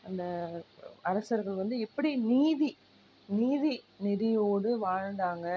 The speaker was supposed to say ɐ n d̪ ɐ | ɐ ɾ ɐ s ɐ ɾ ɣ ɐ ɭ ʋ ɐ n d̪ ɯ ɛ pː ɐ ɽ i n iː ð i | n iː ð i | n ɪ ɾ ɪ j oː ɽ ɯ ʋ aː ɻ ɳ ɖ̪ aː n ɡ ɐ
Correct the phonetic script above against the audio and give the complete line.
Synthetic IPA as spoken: ɐ n d̪ ɐ | ɐ ɾ ɐ s ɐ ɾ ɣ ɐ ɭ ʋ ɐ n d̪ ɯ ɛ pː ɐ ɽ i n iː ð i | n iː ð i | n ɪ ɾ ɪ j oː ɽ ɯ ʋ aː ɻ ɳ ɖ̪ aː ŋ ɡ ɐ